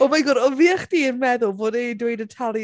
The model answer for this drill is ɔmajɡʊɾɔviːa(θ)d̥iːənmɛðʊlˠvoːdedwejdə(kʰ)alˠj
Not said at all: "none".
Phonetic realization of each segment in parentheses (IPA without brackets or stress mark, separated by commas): χ, tʰ